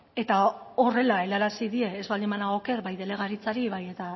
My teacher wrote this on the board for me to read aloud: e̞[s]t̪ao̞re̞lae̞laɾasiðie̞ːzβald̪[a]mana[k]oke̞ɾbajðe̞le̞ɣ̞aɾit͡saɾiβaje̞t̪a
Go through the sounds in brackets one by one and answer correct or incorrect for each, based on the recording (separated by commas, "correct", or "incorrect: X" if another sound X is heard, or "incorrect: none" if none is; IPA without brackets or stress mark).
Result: incorrect: none, incorrect: i, incorrect: none